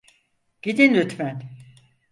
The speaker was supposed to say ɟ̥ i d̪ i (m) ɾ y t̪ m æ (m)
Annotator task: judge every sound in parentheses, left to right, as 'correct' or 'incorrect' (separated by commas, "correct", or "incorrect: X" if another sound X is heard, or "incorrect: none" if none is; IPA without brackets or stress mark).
incorrect: n, incorrect: n